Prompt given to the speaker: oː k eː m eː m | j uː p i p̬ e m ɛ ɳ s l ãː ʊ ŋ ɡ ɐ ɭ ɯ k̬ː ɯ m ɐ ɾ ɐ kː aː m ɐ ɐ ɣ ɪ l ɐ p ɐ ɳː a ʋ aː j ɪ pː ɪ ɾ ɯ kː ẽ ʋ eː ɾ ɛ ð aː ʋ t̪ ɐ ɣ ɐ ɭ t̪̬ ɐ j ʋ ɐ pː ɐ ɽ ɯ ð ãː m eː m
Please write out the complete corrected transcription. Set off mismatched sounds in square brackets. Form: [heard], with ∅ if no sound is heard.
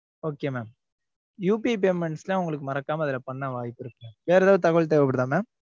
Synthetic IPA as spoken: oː k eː m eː m | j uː p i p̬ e m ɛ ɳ s l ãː ʊ ŋ ɡ ɐ ɭ ɯ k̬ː ɯ m ɐ ɾ ɐ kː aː m ɐ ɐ [ð] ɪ l ɐ p ɐ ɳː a ʋ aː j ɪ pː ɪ ɾ ɯ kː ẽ ʋ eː ɾ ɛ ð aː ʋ t̪ ɐ ɣ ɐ ɭ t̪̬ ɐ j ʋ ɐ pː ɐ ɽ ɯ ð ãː m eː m